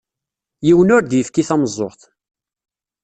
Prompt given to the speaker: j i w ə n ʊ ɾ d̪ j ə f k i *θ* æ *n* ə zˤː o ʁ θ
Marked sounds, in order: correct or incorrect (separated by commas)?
correct, incorrect